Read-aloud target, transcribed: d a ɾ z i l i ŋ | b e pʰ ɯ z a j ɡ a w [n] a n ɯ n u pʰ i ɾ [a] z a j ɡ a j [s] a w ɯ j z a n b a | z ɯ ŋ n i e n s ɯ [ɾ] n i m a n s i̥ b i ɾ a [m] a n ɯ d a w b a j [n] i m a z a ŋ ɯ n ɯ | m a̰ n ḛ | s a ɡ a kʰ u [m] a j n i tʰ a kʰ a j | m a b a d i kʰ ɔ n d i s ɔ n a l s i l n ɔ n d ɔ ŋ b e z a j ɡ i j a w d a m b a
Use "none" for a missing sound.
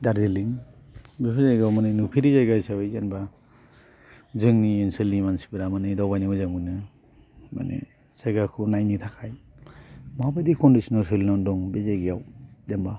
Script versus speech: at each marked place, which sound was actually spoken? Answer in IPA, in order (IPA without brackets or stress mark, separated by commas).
m, i, s, l, m, n, n